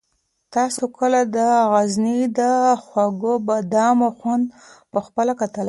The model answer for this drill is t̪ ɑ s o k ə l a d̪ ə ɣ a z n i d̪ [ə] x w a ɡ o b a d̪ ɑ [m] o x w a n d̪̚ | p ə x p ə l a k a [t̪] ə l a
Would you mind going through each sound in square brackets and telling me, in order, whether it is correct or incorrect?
correct, correct, correct

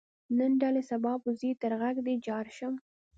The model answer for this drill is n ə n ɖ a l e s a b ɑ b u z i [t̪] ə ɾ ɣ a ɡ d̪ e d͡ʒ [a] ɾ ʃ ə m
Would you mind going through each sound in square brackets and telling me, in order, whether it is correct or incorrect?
correct, incorrect

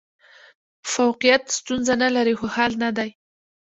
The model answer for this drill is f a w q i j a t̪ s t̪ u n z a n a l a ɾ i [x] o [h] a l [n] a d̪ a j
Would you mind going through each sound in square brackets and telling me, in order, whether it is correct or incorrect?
correct, correct, correct

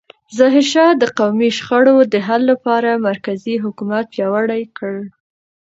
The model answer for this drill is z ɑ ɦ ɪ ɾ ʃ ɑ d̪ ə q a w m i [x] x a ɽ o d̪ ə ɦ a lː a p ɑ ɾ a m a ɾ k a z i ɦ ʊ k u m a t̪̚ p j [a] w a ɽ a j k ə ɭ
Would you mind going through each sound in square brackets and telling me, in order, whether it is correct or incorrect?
incorrect, incorrect

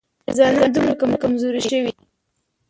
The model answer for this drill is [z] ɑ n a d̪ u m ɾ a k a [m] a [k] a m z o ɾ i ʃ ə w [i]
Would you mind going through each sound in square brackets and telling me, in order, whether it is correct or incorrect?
correct, correct, correct, correct

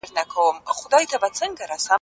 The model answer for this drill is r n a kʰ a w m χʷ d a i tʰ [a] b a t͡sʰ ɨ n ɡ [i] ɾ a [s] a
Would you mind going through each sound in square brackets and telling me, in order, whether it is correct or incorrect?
correct, incorrect, correct

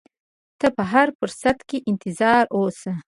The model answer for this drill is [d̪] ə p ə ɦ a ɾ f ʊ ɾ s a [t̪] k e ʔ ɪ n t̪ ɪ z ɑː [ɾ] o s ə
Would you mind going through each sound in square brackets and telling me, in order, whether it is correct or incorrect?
incorrect, correct, correct

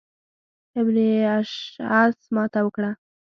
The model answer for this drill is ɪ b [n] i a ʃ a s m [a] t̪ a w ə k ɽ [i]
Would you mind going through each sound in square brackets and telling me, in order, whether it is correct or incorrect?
correct, incorrect, incorrect

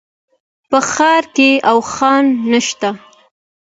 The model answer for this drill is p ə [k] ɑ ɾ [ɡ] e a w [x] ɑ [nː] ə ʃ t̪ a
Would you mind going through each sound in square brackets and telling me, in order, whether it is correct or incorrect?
incorrect, incorrect, correct, correct

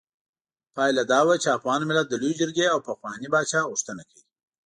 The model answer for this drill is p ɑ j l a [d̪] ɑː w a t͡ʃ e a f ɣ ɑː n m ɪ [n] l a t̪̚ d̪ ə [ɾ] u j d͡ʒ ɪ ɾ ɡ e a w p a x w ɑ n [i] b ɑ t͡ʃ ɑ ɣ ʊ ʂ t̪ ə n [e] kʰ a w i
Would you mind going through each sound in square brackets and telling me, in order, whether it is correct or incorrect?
correct, incorrect, incorrect, correct, incorrect

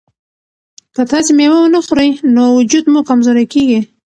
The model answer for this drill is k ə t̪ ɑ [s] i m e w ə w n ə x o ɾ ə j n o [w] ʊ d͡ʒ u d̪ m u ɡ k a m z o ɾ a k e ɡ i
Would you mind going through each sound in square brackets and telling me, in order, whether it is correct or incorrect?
correct, correct

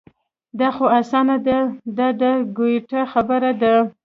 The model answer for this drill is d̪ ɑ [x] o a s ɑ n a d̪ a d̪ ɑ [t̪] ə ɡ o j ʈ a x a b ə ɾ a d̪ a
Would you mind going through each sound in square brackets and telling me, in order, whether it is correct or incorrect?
correct, incorrect

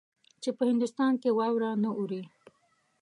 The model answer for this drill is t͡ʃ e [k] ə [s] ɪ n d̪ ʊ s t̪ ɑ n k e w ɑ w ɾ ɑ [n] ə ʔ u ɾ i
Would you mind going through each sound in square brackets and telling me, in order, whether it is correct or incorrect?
incorrect, incorrect, correct

